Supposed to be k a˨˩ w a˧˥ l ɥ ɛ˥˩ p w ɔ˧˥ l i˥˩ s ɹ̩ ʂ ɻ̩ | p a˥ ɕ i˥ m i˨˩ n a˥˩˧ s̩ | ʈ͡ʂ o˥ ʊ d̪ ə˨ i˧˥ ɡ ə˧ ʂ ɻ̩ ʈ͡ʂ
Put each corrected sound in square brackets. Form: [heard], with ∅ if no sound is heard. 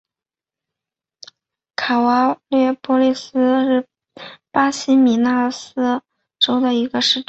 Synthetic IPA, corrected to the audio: [kʰ] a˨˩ w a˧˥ l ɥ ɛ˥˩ p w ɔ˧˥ l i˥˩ s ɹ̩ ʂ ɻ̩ | p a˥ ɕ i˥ m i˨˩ n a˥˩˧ s̩ | ʈ͡ʂ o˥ ʊ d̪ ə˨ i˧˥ ɡ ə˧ ʂ ɻ̩ ʈ͡ʂ